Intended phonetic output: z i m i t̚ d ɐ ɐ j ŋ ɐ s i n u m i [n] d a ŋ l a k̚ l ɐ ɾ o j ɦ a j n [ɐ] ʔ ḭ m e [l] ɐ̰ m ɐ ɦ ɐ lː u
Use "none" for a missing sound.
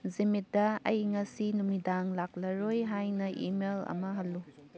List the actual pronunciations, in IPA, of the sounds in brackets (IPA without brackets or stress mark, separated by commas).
none, ɐ, l